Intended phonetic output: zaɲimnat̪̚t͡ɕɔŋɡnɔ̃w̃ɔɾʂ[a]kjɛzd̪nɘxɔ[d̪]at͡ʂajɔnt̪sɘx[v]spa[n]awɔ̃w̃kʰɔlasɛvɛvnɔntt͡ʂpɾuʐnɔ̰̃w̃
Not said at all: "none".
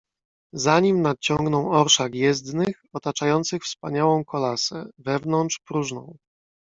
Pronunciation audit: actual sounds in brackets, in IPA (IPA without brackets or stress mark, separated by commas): a, t̪, f, ɲ